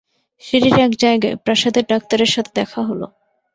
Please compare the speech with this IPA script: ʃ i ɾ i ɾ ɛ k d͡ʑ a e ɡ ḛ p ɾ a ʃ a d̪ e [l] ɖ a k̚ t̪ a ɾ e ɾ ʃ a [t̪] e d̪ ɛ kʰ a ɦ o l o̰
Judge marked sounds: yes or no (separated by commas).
no, no